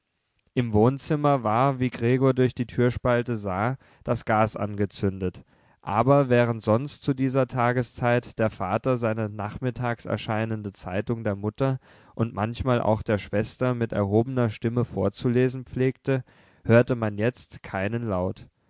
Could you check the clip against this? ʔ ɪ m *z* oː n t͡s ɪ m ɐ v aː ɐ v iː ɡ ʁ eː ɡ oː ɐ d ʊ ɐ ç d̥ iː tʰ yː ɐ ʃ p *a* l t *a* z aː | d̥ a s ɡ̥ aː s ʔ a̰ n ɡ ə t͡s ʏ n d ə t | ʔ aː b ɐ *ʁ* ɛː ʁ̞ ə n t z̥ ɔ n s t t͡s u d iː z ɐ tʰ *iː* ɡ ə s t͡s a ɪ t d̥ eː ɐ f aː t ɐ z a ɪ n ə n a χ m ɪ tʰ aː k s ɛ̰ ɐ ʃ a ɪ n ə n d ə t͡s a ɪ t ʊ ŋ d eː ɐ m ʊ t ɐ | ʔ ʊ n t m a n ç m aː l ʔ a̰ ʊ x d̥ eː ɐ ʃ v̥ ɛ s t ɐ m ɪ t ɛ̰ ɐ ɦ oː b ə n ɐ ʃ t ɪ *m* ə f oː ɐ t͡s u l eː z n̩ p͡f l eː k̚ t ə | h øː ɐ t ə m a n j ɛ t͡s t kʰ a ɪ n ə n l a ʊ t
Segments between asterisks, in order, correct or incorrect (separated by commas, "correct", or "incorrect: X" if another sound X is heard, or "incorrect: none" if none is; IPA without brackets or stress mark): incorrect: v, correct, incorrect: ə, incorrect: v, incorrect: aː, correct